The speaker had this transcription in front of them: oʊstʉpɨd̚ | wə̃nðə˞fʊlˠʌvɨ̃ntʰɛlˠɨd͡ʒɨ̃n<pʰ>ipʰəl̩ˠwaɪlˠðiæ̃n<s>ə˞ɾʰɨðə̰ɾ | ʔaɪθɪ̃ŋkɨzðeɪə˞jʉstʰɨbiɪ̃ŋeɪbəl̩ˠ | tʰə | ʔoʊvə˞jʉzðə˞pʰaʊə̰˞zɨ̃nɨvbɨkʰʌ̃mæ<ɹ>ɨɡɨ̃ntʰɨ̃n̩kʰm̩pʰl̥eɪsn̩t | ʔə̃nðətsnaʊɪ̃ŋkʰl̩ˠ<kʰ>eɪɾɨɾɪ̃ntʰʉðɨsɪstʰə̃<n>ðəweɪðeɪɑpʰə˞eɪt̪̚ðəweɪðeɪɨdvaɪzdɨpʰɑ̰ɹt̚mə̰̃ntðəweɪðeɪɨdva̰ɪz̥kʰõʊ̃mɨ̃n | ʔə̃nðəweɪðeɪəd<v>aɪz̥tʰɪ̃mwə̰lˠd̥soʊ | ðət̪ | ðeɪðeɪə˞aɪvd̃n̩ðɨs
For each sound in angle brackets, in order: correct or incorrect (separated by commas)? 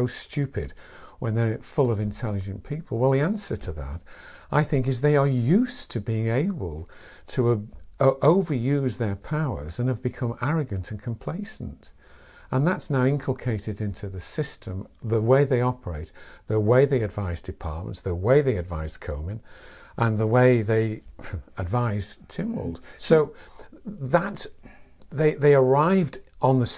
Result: correct, correct, correct, correct, incorrect, correct